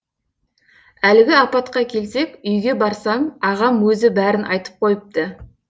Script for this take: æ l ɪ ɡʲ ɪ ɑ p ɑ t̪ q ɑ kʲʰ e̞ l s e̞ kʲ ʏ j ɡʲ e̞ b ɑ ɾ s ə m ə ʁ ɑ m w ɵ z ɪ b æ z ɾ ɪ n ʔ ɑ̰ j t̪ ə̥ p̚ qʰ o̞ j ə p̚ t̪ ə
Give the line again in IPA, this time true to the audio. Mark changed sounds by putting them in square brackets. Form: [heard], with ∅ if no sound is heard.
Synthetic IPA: æ l ɪ ɡʲ ɪ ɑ p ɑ t̪ q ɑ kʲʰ e̞ l s e̞ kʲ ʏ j ɡʲ e̞ b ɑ ɾ s [ɑ] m [ɑ] ʁ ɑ m w ɵ z ɪ b æ [∅] ɾ ɪ n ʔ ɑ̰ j t̪ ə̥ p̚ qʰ o̞ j ə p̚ t̪ ə